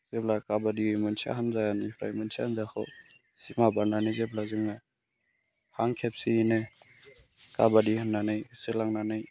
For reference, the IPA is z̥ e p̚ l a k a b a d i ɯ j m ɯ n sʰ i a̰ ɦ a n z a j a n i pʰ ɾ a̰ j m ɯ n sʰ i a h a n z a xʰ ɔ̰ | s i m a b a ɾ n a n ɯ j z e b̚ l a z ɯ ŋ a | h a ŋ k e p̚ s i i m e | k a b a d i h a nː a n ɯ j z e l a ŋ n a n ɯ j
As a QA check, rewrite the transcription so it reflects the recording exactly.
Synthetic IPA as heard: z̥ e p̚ l a k a b a d i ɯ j m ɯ n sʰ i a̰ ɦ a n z a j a n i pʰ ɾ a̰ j m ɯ n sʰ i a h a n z a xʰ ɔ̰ | s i m a b a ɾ n a n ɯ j z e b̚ l a z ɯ ŋ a | h a ŋ kʰ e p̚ s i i n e | k a b a d i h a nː a n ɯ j s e l a ŋ n a n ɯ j